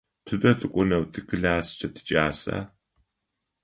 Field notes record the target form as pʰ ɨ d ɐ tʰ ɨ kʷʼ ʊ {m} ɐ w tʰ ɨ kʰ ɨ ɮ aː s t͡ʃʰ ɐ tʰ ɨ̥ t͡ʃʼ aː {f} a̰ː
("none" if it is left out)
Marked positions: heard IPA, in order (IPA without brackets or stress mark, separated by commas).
n, s